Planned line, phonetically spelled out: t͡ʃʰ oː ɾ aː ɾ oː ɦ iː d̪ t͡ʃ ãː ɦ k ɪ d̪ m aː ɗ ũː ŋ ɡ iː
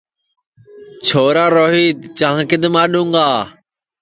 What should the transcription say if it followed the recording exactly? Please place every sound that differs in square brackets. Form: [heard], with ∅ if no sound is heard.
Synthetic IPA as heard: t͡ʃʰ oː ɾ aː ɾ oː ɦ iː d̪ t͡ʃ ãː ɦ k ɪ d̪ m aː ɗ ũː ŋ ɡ [aː]

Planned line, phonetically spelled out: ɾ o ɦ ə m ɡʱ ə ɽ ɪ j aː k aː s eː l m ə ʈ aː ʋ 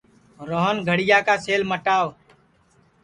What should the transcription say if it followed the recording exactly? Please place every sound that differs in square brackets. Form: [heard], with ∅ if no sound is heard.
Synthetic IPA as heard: ɾ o ɦ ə [n] ɡʱ ə ɽ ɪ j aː k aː s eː l m ə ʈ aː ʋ

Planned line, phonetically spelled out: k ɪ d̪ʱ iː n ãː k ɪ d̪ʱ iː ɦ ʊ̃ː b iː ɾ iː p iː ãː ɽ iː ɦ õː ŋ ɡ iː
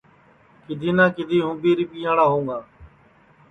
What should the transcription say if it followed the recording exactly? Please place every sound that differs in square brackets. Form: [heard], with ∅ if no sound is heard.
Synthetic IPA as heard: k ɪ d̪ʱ iː n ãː k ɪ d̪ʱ iː ɦ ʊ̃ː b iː ɾ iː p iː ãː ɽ [aː] ɦ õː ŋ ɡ [aː]

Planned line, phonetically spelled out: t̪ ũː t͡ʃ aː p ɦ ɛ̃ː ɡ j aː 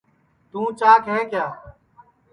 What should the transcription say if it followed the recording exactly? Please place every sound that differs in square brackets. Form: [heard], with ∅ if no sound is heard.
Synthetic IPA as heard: t̪ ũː t͡ʃ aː [k] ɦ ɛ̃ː [k] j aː

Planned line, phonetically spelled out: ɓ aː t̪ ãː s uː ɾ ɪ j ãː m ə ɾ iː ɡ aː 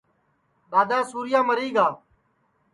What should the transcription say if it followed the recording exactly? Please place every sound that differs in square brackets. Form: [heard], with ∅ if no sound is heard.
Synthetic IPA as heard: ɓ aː [d̪] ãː s uː ɾ ɪ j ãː m ə ɾ iː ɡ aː

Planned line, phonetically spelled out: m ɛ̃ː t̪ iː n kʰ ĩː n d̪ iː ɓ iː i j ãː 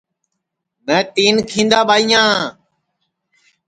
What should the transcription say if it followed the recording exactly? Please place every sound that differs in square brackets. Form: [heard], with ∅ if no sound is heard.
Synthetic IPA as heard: m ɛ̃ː t̪ iː n kʰ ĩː n d̪ [aː] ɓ [aː] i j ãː

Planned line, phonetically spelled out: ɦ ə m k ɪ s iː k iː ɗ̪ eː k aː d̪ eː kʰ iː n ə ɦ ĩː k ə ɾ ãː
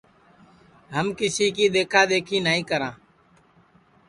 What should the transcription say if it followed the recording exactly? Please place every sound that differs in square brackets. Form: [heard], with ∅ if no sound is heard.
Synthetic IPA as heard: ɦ ə m k ɪ s iː k iː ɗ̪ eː [kʰ] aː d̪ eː kʰ iː n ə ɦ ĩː k ə ɾ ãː

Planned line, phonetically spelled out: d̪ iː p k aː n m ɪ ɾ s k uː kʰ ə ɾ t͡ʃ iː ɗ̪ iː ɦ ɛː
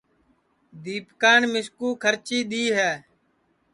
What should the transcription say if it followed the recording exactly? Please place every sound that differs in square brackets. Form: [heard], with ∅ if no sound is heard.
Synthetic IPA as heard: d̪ iː p k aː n m ɪ [∅] s k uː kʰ ə ɾ t͡ʃ iː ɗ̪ iː ɦ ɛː

